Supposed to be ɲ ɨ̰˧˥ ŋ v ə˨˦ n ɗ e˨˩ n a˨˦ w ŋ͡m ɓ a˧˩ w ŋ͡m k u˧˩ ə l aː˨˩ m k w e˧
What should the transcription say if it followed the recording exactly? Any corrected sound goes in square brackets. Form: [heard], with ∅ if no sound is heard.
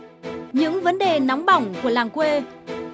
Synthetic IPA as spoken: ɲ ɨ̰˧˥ ŋ v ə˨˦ n ɗ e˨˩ n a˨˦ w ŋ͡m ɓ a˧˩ w ŋ͡m k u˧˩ ə l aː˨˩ [ŋ] k w e˧